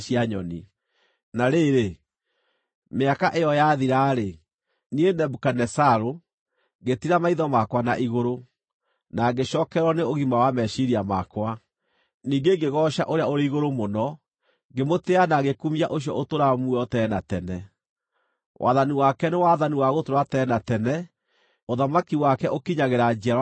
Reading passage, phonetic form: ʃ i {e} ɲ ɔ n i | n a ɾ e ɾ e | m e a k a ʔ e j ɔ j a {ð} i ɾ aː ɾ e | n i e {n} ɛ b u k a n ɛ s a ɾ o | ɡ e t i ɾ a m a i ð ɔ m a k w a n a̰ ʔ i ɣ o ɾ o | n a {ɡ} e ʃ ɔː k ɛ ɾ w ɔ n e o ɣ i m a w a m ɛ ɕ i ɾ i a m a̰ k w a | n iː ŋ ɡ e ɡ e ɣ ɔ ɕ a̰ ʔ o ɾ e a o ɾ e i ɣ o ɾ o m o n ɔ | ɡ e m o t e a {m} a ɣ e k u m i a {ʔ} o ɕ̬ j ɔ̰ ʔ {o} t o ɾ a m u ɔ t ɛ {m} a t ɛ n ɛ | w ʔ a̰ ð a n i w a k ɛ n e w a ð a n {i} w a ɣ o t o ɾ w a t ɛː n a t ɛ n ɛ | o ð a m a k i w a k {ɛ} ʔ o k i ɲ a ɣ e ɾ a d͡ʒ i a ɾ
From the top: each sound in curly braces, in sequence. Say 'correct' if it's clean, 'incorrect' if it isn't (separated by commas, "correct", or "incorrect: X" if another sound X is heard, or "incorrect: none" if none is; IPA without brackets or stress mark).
incorrect: a, correct, correct, correct, incorrect: n, correct, correct, incorrect: n, correct, correct